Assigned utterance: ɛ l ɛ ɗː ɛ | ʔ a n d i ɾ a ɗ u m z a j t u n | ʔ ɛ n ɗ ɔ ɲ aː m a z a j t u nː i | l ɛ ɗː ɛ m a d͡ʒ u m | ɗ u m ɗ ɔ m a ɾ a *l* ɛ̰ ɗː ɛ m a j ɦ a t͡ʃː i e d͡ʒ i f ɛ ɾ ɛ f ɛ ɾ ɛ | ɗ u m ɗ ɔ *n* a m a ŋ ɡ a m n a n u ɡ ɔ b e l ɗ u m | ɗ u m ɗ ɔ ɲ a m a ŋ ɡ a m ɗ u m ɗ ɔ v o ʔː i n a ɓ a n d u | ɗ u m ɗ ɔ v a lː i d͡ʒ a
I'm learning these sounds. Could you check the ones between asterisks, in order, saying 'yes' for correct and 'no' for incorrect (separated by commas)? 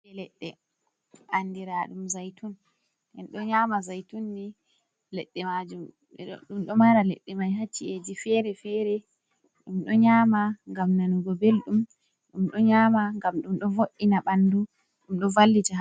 yes, no